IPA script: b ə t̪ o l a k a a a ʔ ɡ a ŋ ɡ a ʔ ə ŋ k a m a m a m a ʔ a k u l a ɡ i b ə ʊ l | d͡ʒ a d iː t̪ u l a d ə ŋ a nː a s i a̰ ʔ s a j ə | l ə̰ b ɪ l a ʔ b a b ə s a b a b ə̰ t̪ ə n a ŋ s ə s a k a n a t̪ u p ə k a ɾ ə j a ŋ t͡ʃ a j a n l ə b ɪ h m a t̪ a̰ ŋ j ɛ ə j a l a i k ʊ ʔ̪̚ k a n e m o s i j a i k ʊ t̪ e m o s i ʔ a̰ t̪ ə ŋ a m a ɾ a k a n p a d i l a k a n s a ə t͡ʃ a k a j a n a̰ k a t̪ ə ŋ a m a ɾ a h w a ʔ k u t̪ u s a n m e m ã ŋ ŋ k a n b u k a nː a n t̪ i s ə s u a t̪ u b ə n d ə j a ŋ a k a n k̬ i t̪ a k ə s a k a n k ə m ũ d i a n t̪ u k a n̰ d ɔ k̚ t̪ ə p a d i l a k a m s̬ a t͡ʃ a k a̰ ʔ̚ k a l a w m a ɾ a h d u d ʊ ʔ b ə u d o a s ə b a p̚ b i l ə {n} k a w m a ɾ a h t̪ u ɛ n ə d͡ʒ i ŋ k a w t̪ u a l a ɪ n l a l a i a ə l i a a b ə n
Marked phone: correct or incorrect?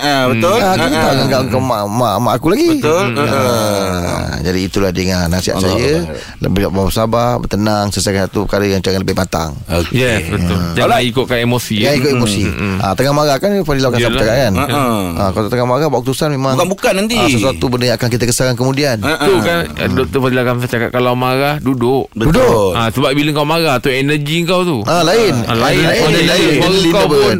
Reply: incorrect